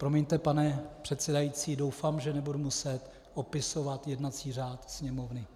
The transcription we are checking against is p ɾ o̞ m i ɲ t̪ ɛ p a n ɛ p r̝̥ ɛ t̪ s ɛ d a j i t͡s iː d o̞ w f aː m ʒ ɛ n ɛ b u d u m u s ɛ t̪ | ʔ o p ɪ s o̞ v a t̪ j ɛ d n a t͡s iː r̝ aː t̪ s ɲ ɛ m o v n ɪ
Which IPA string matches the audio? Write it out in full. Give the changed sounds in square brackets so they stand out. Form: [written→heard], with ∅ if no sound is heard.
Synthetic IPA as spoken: p ɾ o̞ m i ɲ t̪ ɛ p a n ɛ p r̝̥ ɛ t̪ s ɛ d a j i t͡s iː d o̞ w f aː m ʒ ɛ n ɛ b u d u m u s ɛ t̪ | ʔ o p ɪ s o̞ v a t̪ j ɛ d n a t͡s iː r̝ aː t̪ s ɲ ɛ m o v n ɪ